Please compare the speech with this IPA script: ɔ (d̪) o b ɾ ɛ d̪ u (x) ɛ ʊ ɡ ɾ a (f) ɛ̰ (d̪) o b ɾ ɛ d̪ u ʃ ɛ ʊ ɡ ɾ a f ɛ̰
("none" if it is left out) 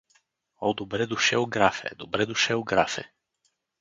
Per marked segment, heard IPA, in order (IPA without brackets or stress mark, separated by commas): d̪, ʃ, f, d̪